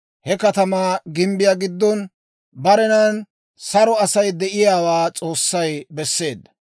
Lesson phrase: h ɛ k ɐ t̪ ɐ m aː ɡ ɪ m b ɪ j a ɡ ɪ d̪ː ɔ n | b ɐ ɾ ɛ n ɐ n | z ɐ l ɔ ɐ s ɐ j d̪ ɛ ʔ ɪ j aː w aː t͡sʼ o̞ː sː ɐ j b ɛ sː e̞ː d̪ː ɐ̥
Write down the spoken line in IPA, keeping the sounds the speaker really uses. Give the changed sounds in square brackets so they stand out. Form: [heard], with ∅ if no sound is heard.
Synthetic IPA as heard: h ɛ k ɐ t̪ ɐ m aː ɡ ɪ m b ɪ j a ɡ ɪ d̪ː ɔ n | b ɐ ɾ ɛ n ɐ n | [s] ɐ [ɾ] ɔ ɐ s ɐ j d̪ ɛ ʔ ɪ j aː w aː t͡sʼ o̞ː sː ɐ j b ɛ sː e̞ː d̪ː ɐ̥